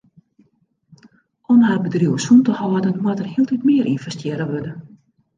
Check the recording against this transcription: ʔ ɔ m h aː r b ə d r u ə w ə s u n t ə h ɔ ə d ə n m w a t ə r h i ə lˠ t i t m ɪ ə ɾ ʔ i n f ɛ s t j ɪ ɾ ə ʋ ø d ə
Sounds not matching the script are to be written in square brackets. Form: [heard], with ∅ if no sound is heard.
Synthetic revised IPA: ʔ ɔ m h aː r b ə d r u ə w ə s u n t ə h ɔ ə d ə n m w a t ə r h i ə lˠ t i t m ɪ ə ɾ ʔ i n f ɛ s t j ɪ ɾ ə ʋ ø d ə